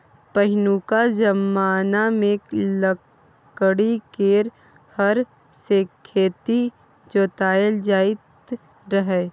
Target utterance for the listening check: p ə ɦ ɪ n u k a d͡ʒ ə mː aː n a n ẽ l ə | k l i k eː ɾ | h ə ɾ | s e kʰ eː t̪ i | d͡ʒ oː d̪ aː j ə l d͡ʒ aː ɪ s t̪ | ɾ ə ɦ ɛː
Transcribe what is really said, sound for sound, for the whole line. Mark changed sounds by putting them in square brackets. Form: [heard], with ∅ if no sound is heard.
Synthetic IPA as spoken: p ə ɦ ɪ n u k a d͡ʒ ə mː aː n a [m] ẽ l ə | k [ɽ] i k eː ɾ | h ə ɾ | s e kʰ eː t̪ i | d͡ʒ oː [t̪] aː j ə l d͡ʒ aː ɪ [∅] t̪ | ɾ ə ɦ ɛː

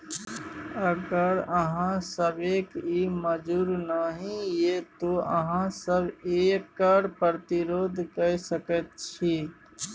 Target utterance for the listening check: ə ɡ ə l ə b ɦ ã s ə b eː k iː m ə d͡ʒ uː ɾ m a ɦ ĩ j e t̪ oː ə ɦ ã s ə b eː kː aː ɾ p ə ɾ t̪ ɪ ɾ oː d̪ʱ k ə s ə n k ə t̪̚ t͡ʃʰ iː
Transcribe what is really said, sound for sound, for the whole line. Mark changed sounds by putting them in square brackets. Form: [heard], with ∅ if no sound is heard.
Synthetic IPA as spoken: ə ɡ ə [ɾ] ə [∅] ɦ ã s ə b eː k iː m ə d͡ʒ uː ɾ [n] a ɦ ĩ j e t̪ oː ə ɦ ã s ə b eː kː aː ɾ p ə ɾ t̪ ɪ ɾ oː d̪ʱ k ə s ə [∅] k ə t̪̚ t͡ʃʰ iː

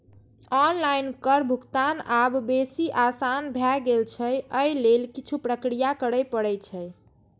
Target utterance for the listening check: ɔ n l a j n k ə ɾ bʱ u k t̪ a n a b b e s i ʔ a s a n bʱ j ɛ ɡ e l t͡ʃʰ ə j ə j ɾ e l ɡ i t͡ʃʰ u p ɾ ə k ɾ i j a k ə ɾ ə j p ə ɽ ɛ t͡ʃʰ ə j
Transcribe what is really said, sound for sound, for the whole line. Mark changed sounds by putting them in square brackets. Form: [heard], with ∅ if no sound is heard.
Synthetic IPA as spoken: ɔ n l a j n k ə ɾ bʱ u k t̪ a n a b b e s i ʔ a s a n bʱ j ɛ ɡ e l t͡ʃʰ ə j ə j [l] e l [k] i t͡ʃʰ u p ɾ ə k ɾ i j a k ə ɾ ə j p ə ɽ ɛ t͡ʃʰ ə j

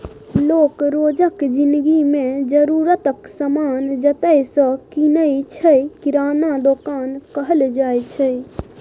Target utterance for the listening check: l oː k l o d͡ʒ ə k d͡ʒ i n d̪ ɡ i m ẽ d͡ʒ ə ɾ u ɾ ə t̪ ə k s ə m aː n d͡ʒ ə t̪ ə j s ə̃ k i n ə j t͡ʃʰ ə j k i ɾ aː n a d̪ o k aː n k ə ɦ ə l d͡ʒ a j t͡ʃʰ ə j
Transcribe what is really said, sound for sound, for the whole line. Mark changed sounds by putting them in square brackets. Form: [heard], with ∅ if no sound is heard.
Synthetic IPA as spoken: l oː k [ɾ] o d͡ʒ ə k d͡ʒ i n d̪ ɡ i m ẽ d͡ʒ ə ɾ u ɾ ə t̪ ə k s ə m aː n d͡ʒ ə t̪ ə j s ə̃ k i n ə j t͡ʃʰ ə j k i ɾ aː n a d̪ o k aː n k ə ɦ ə l d͡ʒ a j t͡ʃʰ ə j

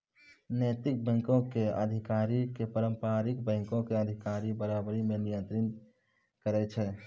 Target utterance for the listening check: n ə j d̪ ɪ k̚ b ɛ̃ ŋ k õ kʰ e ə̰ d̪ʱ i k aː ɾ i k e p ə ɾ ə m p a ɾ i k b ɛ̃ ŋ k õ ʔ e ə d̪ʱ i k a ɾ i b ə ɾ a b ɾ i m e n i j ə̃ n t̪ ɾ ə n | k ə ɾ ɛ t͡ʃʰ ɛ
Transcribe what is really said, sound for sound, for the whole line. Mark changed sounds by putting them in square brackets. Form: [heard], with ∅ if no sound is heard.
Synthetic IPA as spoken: n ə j [t̪] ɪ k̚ b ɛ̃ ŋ k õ [k] e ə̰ d̪ʱ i k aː ɾ i k e p ə ɾ ə m p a ɾ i k b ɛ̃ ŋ k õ [k] e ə d̪ʱ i k a ɾ i b ə ɾ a b ɾ i m e n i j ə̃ n t̪ ɾ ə n | k ə ɾ ɛ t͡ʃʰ ɛ

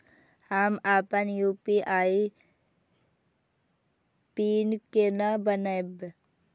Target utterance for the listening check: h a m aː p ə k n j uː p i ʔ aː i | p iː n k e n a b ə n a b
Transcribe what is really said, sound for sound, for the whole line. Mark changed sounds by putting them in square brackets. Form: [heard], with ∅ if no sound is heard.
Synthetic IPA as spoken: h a m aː p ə [∅] n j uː p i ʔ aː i | p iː n k e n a b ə n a b

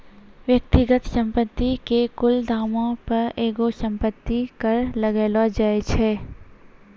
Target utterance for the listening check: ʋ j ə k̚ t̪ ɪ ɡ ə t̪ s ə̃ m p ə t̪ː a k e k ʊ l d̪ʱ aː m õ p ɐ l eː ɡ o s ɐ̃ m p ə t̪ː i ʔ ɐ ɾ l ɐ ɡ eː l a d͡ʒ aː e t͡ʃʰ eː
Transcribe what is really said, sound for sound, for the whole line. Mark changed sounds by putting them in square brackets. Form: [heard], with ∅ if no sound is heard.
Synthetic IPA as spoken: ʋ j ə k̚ t̪ ɪ ɡ ə t̪ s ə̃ m p ə t̪ː [i] k e k ʊ l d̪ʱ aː m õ p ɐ [ɾ] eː ɡ o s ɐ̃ m p ə t̪ː i [k] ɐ ɾ l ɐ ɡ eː l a d͡ʒ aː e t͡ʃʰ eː

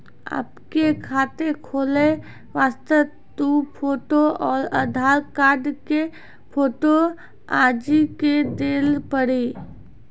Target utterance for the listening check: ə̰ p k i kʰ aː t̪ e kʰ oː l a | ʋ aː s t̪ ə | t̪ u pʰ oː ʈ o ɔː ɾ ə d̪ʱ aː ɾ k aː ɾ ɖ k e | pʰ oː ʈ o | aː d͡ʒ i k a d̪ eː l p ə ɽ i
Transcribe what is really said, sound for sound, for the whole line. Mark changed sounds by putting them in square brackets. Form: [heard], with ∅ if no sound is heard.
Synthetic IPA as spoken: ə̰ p k [e] kʰ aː t̪ e kʰ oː l [e] | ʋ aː s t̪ ə | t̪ u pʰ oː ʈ o ɔː ɾ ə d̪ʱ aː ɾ k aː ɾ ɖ k e | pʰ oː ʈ o | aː d͡ʒ i k [e] d̪ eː l p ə ɽ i

